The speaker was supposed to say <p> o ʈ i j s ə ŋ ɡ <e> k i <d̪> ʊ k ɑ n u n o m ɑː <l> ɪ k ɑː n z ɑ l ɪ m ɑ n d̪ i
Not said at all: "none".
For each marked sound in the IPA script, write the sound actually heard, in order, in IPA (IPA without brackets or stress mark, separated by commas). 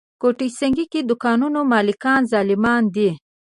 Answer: k, i, d̪, l